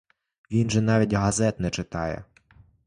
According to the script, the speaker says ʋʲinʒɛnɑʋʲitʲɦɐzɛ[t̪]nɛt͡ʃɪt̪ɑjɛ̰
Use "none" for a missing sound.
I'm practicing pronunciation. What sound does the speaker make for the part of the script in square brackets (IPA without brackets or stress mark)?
t̪